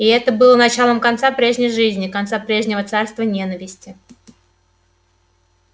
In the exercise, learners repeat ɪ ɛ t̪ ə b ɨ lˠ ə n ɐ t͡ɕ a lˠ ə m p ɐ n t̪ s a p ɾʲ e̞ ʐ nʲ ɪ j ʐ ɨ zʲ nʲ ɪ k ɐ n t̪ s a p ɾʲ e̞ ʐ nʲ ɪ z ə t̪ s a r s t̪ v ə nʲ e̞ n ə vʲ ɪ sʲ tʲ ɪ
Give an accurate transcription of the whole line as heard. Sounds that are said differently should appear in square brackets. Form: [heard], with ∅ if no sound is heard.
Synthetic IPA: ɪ ɛ t̪ ə b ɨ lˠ ə n ɐ t͡ɕ a lˠ ə m [k] ɐ n t̪ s a p ɾʲ e̞ ʐ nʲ ɪ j ʐ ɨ zʲ nʲ ɪ k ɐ n t̪ s a p ɾʲ e̞ ʐ nʲ ɪ [v] ə t̪ s a r s t̪ v ə nʲ e̞ n ə vʲ ɪ sʲ tʲ ɪ